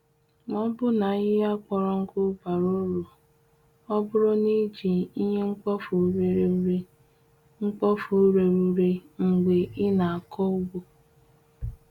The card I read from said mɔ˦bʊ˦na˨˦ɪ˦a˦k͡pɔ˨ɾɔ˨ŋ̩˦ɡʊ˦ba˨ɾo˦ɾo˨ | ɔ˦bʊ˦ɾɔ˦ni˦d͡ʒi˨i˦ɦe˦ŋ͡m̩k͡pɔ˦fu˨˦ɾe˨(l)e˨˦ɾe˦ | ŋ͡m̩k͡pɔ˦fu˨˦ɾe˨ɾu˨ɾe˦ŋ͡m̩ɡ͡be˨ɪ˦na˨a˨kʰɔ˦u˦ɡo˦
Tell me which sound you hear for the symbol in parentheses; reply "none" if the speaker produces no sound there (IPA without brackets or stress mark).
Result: ɾ